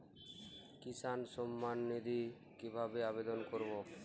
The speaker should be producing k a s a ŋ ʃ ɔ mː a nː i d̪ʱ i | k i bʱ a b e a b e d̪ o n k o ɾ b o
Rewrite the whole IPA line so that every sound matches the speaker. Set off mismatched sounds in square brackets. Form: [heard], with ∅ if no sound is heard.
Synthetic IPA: k [i] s a [n] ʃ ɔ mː a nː i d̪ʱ i | k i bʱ a b e a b e d̪ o n k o ɾ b o